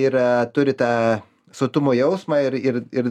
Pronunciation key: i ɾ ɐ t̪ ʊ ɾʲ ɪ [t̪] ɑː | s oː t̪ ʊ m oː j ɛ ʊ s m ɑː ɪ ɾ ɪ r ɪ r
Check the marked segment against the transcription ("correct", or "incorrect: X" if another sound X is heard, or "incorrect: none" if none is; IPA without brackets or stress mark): correct